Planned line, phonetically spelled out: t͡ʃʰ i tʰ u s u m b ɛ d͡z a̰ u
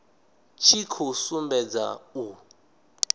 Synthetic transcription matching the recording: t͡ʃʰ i kʰ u s u m b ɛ d͡z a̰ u